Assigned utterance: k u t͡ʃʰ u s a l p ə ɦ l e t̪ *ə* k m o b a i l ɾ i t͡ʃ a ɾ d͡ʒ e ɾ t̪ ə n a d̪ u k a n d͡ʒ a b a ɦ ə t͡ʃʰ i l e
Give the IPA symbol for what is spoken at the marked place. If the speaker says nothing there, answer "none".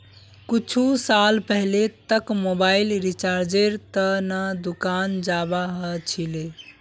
ə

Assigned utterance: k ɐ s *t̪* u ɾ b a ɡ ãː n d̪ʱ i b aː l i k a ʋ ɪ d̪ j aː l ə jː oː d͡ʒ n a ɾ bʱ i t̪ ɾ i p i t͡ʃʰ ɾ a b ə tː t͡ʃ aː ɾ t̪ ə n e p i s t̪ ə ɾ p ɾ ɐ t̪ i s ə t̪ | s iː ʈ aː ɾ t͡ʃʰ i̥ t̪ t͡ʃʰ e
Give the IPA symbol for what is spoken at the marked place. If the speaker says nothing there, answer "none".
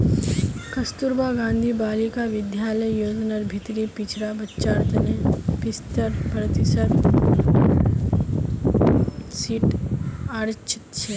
t̪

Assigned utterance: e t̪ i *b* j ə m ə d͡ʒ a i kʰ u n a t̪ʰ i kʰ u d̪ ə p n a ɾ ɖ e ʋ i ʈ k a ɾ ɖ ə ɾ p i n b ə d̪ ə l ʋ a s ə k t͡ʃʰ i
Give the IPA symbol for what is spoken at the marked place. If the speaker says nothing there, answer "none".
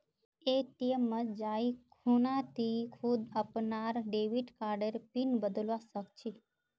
none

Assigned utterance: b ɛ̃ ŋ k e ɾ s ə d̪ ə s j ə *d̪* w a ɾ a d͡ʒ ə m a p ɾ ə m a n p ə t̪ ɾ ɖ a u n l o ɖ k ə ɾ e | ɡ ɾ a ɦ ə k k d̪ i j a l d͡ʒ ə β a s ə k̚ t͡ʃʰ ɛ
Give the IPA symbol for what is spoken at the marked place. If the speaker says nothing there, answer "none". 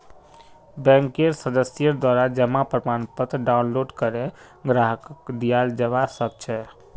d̪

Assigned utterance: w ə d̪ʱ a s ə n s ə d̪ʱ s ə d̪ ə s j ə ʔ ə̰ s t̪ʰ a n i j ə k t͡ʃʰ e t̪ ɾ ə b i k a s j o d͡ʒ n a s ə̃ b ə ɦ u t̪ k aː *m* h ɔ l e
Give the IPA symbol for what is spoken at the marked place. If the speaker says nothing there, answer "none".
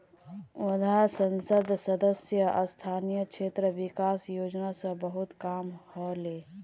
m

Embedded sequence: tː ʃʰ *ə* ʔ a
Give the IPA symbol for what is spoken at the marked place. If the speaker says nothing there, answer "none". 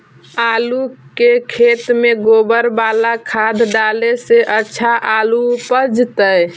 a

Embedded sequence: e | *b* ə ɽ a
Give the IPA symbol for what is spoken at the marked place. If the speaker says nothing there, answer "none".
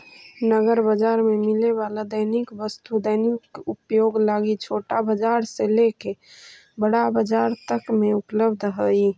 b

